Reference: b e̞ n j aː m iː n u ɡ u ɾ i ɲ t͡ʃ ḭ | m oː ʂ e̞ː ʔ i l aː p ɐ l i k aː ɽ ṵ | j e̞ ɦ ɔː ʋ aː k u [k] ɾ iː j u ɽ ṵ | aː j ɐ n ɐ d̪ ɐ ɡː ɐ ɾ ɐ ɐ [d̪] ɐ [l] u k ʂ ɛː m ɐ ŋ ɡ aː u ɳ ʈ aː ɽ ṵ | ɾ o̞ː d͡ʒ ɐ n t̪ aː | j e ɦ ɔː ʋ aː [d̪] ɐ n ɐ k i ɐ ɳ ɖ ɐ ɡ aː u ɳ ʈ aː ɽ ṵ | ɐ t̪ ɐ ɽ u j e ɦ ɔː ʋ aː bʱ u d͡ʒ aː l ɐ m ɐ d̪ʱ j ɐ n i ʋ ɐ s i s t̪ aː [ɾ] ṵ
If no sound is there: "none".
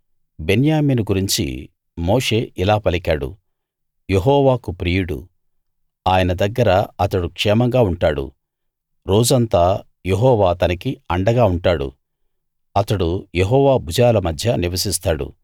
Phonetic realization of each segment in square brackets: p, t̪, ɽ, t̪, ɽ

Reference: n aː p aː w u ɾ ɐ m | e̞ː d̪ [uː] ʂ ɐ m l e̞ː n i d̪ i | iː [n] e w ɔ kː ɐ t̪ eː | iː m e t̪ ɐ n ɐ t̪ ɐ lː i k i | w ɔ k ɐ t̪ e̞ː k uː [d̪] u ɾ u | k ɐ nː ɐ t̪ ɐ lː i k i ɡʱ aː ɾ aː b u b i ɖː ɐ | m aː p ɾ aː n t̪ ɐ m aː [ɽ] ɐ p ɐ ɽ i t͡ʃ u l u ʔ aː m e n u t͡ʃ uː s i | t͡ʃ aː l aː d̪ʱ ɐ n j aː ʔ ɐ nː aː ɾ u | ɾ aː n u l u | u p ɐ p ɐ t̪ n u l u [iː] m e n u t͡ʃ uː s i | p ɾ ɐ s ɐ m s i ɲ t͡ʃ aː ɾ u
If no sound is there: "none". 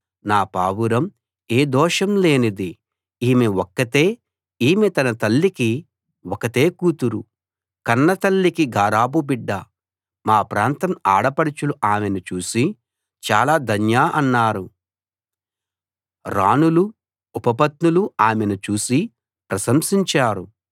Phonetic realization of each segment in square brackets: ɔː, m, t̪, ɽ, aː

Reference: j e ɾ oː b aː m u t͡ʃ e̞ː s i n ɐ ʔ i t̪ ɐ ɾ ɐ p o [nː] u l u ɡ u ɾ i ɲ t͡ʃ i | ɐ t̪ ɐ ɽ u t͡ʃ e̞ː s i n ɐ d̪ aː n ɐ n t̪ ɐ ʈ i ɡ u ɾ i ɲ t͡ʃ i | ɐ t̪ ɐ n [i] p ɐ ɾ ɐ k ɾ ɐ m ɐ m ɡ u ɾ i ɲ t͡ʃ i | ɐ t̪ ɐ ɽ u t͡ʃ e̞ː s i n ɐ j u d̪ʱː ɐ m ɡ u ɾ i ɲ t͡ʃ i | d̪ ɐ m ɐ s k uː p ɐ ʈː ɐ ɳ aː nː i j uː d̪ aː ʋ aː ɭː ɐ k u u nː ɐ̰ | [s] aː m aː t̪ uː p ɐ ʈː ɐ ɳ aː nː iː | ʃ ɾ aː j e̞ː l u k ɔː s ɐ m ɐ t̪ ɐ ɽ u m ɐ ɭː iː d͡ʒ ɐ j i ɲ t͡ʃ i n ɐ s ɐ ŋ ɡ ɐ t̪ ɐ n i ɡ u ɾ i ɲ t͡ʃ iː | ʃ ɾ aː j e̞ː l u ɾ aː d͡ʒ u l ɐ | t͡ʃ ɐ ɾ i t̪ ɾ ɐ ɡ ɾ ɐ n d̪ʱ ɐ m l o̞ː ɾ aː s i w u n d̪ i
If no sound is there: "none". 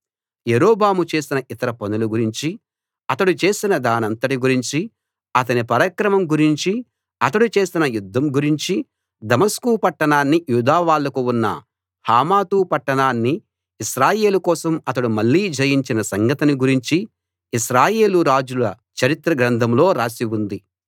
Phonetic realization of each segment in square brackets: n, i, h

